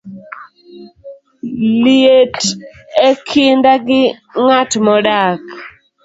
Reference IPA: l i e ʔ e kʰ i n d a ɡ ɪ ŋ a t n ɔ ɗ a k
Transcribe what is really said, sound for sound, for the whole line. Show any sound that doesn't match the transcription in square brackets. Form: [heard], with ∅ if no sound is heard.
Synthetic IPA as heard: l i e [t] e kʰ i n d a ɡ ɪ ŋ a t [m] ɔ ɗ a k